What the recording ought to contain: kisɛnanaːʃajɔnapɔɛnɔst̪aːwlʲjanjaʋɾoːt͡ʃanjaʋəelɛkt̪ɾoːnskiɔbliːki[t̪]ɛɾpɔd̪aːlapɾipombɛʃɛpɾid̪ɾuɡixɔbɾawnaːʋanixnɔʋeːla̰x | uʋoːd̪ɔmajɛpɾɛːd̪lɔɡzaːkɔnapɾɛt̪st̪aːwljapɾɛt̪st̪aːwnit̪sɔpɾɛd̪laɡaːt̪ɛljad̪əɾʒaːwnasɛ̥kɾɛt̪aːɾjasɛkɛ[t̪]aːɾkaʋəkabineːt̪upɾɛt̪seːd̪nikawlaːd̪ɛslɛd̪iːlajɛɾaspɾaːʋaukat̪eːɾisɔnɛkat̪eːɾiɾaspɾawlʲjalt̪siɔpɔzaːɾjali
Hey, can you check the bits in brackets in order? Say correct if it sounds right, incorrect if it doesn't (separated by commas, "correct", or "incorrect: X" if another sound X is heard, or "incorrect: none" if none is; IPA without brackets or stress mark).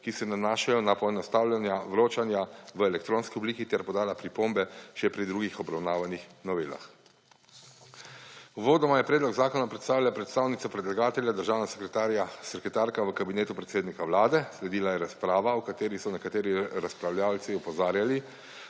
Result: correct, correct